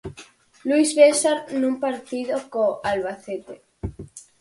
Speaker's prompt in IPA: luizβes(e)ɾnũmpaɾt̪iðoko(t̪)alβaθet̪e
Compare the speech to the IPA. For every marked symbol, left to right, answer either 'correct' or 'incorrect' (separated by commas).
incorrect, incorrect